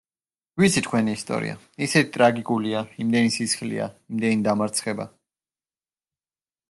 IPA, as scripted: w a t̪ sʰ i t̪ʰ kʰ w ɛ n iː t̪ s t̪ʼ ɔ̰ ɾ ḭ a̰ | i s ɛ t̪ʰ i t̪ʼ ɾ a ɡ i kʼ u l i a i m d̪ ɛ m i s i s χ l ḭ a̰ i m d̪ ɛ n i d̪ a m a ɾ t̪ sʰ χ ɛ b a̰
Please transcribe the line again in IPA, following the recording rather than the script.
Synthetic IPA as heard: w i t̪ sʰ i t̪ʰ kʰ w ɛ n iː s t̪ʼ ɔ̰ ɾ ḭ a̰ | i s ɛ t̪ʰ i t̪ʼ ɾ a ɡ i kʼ u l i a i m d̪ ɛ n i s i s χ l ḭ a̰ i m d̪ ɛ n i d̪ a m a ɾ t̪ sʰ χ ɛ b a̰